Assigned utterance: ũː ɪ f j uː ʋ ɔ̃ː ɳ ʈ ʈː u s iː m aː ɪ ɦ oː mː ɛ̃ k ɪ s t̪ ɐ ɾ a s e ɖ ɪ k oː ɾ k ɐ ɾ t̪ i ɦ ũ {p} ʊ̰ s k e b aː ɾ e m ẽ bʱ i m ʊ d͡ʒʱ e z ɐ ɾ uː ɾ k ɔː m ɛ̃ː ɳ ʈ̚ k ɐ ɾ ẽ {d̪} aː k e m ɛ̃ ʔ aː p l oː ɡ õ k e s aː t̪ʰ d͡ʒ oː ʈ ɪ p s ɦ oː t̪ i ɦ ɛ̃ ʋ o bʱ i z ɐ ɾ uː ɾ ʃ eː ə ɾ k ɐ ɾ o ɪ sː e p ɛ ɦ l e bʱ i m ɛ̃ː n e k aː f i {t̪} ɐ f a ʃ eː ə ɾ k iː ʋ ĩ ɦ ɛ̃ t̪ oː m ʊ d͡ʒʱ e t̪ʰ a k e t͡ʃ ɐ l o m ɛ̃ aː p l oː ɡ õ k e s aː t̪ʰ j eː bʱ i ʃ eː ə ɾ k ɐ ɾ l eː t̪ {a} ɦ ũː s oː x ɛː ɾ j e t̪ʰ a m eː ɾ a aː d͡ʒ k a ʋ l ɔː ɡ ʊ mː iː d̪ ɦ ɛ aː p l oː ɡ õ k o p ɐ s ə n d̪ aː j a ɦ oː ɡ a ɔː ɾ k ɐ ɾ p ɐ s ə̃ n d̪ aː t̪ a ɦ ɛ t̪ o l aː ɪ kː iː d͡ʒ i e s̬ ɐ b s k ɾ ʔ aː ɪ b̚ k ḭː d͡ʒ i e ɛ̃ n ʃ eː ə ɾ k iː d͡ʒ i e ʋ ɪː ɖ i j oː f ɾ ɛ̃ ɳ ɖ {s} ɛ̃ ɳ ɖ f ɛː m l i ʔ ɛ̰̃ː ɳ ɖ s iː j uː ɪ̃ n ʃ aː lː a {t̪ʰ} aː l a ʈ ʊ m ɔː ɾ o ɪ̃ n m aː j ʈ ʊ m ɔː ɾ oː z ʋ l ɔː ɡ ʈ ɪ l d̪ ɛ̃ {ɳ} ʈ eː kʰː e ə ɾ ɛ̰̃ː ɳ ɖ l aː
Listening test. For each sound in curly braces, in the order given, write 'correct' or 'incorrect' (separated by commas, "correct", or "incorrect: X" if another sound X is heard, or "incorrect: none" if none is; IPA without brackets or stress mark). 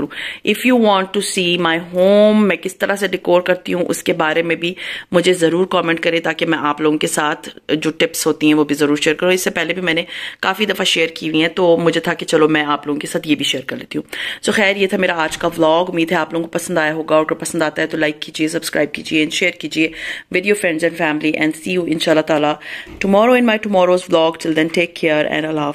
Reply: incorrect: ʔ, incorrect: t̪, incorrect: d̪, incorrect: i, incorrect: z, incorrect: t̪, incorrect: n